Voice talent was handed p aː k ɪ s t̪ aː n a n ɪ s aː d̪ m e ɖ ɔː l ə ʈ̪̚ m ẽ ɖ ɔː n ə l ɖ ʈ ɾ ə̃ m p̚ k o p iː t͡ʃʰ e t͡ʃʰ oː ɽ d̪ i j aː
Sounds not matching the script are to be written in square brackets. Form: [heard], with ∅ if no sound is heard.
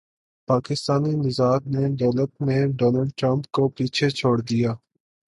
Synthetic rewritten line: p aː k ɪ s t̪ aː n [i] n ɪ [z] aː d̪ [n] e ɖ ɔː l ə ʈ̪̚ m ẽ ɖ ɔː n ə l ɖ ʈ ɾ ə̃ m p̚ k o p iː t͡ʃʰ e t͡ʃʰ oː ɽ d̪ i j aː